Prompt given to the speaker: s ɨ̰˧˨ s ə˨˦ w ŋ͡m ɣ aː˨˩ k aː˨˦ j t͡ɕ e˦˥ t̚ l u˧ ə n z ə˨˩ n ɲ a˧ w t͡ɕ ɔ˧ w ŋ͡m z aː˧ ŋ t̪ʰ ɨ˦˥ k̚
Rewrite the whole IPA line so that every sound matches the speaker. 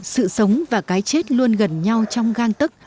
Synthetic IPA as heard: s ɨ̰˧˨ s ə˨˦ w ŋ͡m v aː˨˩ k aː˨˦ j t͡ɕ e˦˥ t̚ l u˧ ə n ɣ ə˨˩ n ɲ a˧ w t͡ɕ ɔ˧ w ŋ͡m ɣ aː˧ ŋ t̪ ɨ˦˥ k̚